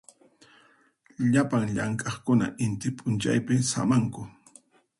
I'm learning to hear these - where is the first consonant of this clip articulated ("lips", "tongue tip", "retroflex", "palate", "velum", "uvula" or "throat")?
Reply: palate